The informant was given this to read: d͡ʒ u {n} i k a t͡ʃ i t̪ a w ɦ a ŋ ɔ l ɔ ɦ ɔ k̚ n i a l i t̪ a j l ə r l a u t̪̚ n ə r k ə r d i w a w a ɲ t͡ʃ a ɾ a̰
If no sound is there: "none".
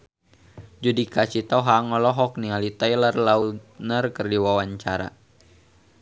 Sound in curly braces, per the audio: d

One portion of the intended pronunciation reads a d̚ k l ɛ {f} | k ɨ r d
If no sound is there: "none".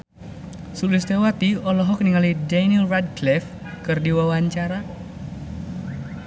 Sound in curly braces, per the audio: f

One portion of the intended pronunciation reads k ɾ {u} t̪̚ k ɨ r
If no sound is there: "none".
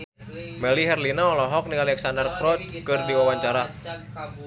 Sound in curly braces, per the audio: ɔ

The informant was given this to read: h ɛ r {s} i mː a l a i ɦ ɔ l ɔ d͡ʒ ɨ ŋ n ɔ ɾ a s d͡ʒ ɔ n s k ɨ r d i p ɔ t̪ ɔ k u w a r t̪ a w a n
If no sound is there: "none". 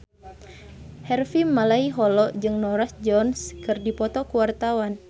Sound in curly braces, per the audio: f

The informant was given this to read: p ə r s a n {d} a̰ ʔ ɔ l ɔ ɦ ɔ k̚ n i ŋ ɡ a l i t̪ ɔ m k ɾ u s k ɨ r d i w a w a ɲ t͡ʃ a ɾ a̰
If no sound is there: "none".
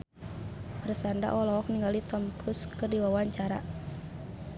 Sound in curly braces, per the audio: d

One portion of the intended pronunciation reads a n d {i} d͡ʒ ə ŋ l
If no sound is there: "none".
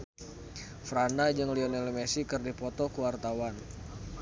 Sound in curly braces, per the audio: a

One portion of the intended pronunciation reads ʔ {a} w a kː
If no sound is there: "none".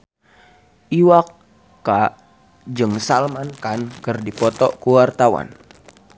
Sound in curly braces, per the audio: i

